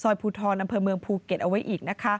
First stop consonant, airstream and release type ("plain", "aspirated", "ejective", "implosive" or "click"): aspirated